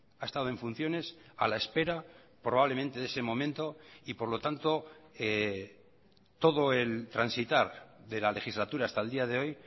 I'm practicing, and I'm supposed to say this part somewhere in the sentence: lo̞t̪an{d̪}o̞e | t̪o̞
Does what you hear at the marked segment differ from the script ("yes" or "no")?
yes